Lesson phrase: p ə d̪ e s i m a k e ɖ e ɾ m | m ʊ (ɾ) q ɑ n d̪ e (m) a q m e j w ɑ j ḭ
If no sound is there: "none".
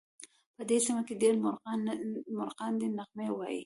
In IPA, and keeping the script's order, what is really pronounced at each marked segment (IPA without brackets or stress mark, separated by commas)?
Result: ɾ, n